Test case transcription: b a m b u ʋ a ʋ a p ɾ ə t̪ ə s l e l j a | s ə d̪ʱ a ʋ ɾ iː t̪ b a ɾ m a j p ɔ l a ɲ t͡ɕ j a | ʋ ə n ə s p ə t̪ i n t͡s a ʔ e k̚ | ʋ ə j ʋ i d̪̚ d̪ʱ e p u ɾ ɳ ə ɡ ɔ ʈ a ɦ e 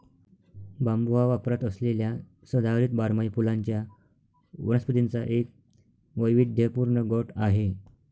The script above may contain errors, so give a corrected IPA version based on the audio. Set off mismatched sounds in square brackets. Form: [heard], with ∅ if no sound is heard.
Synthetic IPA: b a m b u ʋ a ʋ a p ɾ [a] t̪ ə s l e l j a | s ə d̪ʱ a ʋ ɾ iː t̪ b a ɾ m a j p [u] l a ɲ t͡ɕ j a | ʋ ə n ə s p ə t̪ i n t͡s a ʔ e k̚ | ʋ ə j ʋ i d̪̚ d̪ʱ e p u ɾ ɳ ə ɡ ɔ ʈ a ɦ e